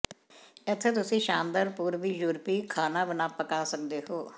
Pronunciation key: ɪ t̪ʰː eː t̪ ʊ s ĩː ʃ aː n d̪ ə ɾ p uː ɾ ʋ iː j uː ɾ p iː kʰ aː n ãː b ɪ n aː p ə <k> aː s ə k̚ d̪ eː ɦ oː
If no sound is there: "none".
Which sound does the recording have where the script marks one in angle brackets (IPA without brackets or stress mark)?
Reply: k